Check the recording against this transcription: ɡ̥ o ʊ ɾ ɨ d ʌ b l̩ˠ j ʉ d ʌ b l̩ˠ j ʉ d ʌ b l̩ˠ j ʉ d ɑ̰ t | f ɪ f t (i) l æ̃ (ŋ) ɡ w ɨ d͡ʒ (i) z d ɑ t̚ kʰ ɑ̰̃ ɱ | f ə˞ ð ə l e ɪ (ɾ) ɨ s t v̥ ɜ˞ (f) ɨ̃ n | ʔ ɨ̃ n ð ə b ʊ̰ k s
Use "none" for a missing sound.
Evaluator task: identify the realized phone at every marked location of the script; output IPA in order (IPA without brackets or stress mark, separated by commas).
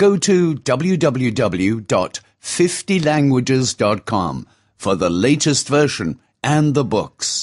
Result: i, ŋ, ɪ, ɾ, ʃ